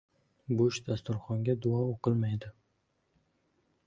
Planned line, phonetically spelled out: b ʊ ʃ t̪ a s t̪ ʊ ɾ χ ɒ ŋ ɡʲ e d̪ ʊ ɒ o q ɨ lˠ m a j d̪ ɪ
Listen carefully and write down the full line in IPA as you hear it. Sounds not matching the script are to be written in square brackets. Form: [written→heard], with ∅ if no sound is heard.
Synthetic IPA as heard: b ʊ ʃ [t̪→d̪] a s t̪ ʊ ɾ χ ɒ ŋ ɡʲ [e→a] d̪ ʊ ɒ o q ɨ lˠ m a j d̪ ɪ